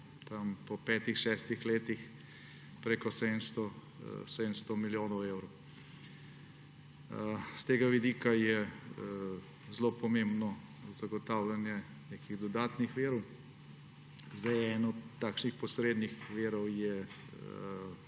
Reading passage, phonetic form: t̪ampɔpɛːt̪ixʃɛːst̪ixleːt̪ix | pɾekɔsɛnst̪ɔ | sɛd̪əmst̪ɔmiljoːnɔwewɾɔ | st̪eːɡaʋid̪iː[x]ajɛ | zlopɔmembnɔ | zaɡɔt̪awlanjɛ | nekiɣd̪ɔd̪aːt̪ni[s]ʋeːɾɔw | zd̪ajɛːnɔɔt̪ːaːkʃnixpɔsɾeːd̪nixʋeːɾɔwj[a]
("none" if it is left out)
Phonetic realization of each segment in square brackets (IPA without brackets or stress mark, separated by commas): k, x, ɛ